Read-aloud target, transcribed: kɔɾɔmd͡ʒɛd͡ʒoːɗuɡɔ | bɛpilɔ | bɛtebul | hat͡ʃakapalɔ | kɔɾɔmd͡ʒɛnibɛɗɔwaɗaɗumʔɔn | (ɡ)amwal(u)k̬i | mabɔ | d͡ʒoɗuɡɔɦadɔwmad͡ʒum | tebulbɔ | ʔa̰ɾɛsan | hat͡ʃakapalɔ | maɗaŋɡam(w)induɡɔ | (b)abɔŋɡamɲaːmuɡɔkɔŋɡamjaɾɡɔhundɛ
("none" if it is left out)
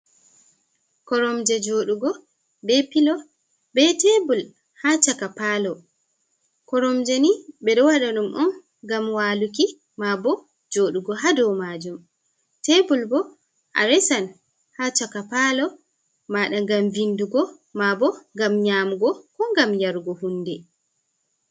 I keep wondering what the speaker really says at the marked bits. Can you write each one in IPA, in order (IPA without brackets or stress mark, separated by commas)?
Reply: ɡ, u, v, m